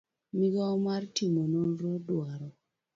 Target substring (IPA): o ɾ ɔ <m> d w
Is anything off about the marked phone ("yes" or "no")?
yes